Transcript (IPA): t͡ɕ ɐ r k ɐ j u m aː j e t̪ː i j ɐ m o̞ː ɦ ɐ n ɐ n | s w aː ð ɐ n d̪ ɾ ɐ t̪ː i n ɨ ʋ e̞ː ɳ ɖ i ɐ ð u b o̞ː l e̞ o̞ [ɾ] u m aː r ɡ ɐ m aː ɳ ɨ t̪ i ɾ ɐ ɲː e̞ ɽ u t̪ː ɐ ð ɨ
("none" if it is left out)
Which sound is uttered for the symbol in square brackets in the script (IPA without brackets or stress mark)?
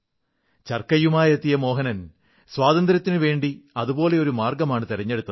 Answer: ɾ